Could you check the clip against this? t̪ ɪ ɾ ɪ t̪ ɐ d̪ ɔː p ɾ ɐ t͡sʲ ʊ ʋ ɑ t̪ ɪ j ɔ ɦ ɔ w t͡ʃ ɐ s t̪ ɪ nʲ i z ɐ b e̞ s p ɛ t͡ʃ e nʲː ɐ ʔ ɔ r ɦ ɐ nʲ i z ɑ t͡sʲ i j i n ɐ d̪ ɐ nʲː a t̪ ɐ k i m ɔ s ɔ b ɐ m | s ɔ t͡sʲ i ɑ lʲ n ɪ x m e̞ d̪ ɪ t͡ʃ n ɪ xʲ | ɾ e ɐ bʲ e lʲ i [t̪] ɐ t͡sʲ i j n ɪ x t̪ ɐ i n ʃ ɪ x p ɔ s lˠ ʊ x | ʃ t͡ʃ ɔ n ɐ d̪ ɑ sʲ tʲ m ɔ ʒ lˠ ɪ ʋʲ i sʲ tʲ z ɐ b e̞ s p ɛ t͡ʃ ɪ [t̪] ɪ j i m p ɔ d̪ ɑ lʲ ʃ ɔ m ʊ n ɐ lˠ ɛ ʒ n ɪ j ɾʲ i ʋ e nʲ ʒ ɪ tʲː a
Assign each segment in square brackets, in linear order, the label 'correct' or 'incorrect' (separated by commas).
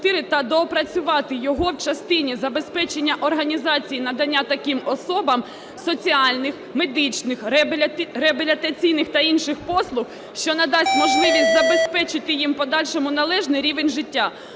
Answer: correct, correct